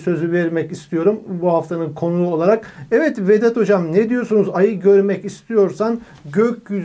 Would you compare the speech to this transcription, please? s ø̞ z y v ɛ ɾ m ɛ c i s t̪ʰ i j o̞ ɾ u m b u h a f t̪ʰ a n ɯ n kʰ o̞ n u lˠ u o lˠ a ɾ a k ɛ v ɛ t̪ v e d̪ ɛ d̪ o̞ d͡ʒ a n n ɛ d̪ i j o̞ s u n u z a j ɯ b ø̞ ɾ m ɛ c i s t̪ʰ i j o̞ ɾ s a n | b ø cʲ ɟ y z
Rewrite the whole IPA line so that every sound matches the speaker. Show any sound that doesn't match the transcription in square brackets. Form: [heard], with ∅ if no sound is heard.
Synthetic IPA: s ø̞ z y v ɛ ɾ m ɛ c i s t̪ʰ i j o̞ ɾ u m b u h a f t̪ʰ a n ɯ n kʰ o̞ n u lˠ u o lˠ a ɾ a k ɛ v ɛ t̪ v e d̪ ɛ [t̪] o̞ d͡ʒ a [m] n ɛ d̪ i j o̞ s u n u z a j ɯ [ɟ] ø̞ ɾ m ɛ c i s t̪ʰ i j o̞ ɾ s a n | [ɟ] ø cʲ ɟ y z